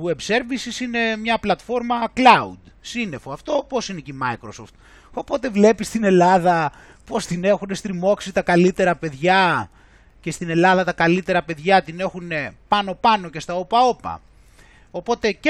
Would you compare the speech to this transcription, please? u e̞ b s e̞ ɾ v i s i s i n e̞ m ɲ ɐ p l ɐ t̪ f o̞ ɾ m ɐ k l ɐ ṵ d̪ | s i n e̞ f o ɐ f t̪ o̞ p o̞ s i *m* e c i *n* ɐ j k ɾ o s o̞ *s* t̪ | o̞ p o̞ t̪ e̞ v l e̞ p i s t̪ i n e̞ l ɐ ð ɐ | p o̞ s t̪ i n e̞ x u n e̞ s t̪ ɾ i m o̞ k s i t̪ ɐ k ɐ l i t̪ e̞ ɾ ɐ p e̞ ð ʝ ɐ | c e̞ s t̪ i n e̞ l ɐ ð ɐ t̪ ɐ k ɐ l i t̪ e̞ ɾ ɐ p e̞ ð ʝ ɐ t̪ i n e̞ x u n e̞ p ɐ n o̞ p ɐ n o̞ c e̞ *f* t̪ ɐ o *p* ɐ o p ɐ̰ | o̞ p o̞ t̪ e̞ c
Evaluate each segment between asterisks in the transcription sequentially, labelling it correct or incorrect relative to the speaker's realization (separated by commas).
incorrect, incorrect, incorrect, incorrect, correct